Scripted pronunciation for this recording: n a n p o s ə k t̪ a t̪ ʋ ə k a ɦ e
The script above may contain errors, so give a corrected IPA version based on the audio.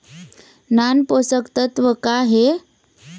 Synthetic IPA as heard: n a n p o s ə k t̪ ə t̪ ʋ ə k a ɦ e

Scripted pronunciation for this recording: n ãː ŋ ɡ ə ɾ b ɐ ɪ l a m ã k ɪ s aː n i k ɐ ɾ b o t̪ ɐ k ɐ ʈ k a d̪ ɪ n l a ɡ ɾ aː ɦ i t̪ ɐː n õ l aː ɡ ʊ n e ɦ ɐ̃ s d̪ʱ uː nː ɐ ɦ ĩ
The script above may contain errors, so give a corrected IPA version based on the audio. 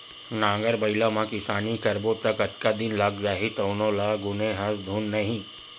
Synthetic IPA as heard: n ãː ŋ ɡ ə ɾ b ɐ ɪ l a m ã k ɪ s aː n i k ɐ ɾ b o t̪ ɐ k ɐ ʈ k a d̪ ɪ n l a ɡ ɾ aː ɦ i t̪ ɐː n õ l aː ɡ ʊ n e ɦ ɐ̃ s d̪ʱ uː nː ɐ ɦ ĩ

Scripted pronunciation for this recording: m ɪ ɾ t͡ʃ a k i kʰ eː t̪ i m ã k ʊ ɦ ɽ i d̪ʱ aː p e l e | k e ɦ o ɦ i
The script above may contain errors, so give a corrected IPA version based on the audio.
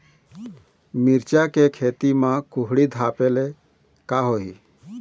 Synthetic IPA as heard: m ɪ ɾ t͡ʃ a k e kʰ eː t̪ i m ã k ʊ ɦ ɽ i d̪ʱ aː p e l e | k a ɦ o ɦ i

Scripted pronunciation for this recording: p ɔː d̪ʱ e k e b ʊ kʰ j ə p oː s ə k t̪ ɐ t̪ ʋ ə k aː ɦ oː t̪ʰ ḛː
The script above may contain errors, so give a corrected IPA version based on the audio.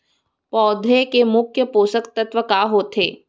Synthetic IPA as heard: p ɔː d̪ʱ e k e m ʊ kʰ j ə p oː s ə k t̪ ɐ t̪ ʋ ə k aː ɦ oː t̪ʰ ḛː

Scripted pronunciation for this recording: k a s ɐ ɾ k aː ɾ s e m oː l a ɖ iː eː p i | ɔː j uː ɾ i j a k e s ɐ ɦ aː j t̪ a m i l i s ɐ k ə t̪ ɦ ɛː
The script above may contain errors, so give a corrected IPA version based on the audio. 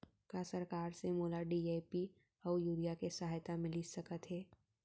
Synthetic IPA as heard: k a s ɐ ɾ k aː ɾ s e m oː l a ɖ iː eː p i | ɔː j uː ɾ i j a k e s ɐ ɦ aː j t̪ a m ɪ l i s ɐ k ə t̪ ɦ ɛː

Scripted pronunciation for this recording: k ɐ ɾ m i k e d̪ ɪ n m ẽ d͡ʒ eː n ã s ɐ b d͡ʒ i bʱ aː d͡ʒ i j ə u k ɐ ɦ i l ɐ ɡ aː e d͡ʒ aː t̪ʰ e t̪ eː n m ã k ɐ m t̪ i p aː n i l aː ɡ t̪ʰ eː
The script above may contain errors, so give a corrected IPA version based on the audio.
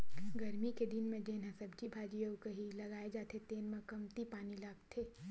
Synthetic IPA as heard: ɡ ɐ ɾ m i k e d̪ ɪ n m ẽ d͡ʒ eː n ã s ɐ b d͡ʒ i bʱ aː d͡ʒ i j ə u k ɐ ɦ i l ɐ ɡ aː e d͡ʒ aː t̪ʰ e t̪ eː n m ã k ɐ m t̪ i p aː n i l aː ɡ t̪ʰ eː

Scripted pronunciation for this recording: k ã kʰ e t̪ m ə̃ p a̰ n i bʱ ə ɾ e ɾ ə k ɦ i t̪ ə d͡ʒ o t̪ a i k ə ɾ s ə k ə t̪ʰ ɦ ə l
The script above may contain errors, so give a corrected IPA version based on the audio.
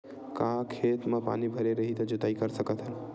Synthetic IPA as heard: k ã kʰ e t̪ m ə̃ p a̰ n i bʱ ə ɾ e ɾ ə ɦ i t̪ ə d͡ʒ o t̪ a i k ə ɾ s ə k ə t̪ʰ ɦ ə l

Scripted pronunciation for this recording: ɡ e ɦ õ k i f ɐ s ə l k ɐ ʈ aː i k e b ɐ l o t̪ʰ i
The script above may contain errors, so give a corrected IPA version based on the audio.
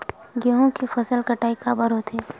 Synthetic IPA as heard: ɡ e ɦ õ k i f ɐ s ə l k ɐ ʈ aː i k a b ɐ ɾ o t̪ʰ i

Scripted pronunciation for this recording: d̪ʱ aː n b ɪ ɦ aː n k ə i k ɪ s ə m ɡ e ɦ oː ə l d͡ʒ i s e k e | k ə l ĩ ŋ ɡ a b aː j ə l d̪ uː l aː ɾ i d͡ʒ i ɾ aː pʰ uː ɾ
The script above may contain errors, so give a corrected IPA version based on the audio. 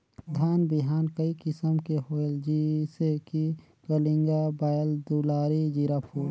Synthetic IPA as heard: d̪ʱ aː n b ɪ ɦ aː n k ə i k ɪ s ə m k e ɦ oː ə l d͡ʒ i s e k i | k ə l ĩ ŋ ɡ a b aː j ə l d̪ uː l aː ɾ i d͡ʒ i ɾ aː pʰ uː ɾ

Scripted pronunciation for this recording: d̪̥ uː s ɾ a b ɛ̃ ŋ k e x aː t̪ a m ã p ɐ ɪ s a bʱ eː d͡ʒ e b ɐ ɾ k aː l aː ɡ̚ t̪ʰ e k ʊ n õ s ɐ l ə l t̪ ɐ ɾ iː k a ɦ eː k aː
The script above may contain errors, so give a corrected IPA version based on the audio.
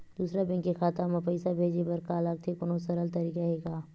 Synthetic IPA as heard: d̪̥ uː s ɾ a b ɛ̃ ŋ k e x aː t̪ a m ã p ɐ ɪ s a bʱ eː d͡ʒ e b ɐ ɾ k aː l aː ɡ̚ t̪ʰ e k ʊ n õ s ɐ ɾ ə l t̪ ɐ ɾ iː k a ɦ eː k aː

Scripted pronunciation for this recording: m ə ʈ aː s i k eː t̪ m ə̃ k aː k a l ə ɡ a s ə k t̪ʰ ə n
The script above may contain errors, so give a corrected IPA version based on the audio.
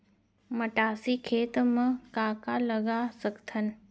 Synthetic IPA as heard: m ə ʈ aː s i kʰ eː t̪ m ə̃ k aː k a l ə ɡ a s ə k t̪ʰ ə n

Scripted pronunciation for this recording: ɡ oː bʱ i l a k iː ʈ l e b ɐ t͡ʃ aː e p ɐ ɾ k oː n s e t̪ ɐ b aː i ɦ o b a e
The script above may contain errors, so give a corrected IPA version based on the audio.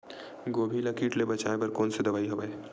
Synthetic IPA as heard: ɡ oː bʱ i l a k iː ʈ l e b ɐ t͡ʃ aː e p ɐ ɾ k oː n s e d̪ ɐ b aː i ɦ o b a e

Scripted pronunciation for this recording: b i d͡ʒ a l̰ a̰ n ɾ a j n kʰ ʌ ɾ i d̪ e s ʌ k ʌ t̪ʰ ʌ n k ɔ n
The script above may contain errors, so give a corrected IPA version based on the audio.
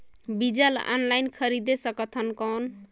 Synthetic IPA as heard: b i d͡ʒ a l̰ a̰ n l a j n kʰ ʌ ɾ i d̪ e s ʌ k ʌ t̪ʰ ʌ n k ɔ n

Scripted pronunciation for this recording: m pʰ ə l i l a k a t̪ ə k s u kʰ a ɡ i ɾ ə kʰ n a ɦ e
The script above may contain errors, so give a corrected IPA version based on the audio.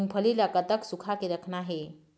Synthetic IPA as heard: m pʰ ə l i l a k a t̪ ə k s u kʰ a k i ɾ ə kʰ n a ɦ e

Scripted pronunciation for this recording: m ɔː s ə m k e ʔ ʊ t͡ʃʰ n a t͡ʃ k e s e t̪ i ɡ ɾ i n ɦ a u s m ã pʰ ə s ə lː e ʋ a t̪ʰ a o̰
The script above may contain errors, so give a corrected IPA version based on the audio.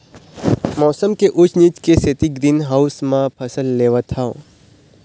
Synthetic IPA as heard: m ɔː s ə m k e ʔ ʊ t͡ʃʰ n i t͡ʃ k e s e t̪ i ɡ ɾ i n ɦ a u s m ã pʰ ə s ə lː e ʋ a t̪ʰ a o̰

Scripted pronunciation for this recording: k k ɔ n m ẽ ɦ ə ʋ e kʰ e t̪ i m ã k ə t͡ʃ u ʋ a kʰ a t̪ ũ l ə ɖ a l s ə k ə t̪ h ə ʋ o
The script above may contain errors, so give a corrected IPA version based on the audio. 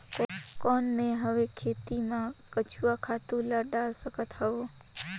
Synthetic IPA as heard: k k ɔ n m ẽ ɦ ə ʋ e kʰ e t̪ i m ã k ə t͡ʃ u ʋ a kʰ a t̪ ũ l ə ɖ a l s ə k ə t̪ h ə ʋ o

